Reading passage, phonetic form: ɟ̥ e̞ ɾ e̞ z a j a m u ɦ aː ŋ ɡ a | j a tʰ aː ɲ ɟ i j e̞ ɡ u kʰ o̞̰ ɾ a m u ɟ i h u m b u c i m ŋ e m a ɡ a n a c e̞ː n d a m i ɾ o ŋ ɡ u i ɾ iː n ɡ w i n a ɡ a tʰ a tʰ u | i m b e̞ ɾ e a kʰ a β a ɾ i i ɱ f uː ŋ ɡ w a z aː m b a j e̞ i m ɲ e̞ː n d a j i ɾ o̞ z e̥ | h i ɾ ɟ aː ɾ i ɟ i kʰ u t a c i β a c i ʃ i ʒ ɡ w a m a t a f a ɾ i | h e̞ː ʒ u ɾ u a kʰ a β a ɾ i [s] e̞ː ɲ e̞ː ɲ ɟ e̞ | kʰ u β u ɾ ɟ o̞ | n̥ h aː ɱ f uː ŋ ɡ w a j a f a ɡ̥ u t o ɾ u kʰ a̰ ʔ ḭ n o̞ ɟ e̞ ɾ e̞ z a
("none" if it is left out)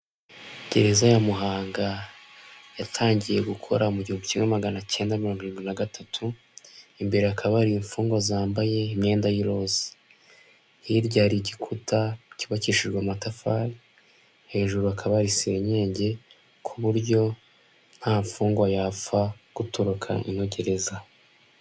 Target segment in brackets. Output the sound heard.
s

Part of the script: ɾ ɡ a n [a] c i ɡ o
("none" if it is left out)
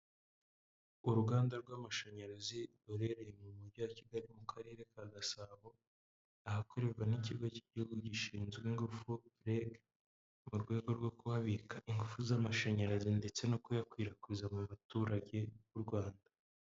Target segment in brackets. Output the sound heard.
i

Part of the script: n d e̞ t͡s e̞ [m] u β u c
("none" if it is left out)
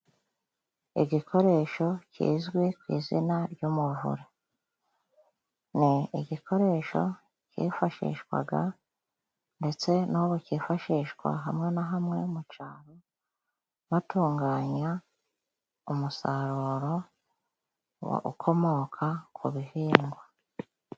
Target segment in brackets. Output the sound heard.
n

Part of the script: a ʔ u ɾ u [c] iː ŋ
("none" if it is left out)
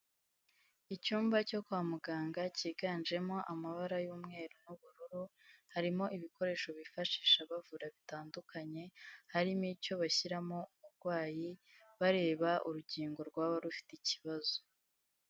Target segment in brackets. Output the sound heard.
ɟ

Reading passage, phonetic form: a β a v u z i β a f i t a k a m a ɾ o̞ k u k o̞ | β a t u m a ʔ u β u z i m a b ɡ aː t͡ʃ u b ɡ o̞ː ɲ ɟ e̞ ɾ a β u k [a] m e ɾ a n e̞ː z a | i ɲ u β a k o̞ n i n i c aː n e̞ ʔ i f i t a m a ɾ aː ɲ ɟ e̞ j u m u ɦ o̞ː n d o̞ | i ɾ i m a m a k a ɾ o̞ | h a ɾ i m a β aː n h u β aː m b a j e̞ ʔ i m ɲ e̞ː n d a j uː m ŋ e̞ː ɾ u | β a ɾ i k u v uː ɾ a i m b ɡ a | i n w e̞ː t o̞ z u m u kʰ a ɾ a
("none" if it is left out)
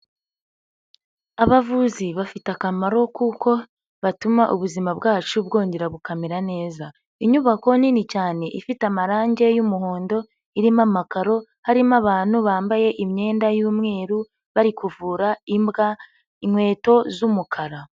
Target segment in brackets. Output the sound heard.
a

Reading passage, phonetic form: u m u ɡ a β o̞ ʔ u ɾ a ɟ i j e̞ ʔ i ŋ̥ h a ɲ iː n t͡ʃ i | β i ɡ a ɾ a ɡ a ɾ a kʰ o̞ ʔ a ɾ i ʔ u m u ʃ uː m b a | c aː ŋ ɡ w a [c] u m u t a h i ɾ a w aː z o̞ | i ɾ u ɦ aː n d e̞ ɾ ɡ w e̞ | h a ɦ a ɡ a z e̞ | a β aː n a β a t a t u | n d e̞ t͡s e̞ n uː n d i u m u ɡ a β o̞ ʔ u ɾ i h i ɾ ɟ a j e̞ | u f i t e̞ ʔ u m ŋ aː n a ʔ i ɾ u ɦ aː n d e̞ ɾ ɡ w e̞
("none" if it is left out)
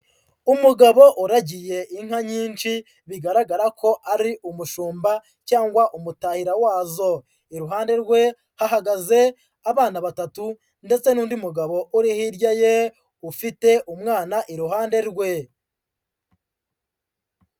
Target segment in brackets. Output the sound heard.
ʔ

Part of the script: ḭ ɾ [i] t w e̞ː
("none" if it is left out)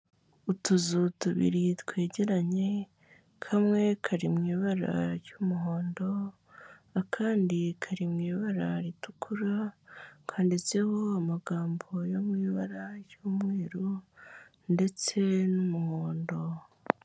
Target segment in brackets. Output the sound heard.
i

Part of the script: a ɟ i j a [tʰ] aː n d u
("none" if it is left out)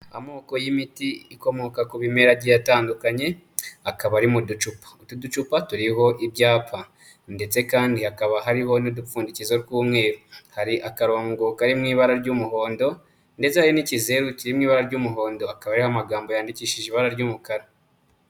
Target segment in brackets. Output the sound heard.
t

